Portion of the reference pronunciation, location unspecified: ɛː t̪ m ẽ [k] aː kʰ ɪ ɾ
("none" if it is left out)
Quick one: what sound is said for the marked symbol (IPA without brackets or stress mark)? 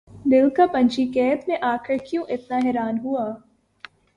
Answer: ʔ